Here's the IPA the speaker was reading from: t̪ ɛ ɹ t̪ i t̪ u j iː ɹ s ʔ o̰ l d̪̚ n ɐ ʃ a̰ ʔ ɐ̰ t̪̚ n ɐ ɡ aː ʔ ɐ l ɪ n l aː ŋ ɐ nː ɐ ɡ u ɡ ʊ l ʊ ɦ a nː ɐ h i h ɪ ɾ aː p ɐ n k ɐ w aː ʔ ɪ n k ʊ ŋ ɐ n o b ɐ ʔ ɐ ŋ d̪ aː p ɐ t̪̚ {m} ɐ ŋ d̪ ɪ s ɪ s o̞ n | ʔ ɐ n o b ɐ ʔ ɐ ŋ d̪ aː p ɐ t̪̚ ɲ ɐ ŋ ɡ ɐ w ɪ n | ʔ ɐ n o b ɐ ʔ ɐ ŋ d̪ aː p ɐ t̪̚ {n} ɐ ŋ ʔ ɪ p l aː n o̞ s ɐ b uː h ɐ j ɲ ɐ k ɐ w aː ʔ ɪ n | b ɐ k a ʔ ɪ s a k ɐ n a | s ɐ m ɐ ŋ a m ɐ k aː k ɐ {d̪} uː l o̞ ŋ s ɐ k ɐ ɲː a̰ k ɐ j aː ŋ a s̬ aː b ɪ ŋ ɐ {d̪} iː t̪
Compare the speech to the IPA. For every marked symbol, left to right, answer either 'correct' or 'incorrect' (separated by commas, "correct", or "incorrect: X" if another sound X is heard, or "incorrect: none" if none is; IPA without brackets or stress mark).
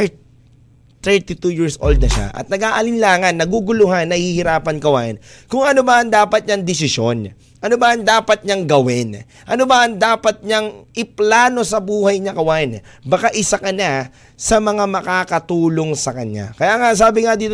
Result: incorrect: ɲ, incorrect: ɲ, incorrect: t̪, correct